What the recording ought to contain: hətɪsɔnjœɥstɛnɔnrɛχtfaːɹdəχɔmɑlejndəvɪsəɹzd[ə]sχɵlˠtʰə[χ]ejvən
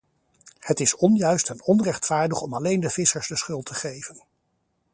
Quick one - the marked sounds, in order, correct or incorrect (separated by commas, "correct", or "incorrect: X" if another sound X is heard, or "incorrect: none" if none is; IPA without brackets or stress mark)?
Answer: correct, correct